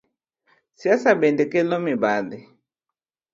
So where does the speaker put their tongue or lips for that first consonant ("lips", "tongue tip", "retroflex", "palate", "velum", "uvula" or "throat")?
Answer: tongue tip